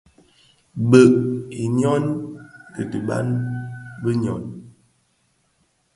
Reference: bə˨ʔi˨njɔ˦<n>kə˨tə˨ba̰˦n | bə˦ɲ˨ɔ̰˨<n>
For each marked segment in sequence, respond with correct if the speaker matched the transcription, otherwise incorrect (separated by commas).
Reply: correct, correct